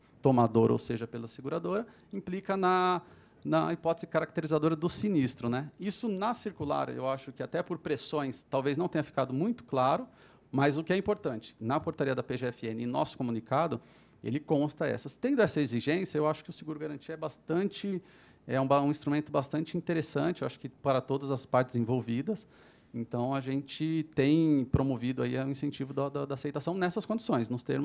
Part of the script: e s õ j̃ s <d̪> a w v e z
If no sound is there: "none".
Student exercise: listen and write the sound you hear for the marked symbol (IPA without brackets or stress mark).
t̪